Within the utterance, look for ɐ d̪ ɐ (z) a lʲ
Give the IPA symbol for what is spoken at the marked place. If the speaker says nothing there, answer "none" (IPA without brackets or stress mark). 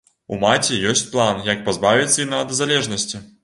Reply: z